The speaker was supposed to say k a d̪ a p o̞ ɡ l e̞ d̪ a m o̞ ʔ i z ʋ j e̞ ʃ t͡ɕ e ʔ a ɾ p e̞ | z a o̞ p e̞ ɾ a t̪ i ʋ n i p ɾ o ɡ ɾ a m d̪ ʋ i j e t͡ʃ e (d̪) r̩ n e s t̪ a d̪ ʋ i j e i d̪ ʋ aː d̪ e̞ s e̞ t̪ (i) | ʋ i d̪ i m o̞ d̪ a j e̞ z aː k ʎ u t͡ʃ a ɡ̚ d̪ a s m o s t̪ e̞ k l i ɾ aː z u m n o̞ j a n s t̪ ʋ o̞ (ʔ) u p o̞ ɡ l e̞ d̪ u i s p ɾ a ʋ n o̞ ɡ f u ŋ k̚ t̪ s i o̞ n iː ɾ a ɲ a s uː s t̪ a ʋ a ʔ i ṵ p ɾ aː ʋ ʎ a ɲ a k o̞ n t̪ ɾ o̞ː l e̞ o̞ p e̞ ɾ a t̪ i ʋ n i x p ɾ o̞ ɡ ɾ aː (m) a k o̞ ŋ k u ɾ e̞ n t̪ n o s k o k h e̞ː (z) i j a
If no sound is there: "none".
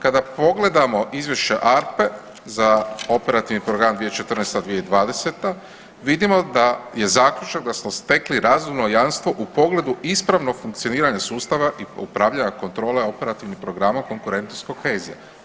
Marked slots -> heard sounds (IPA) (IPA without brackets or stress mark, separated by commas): t̪, a, ʔ, m, z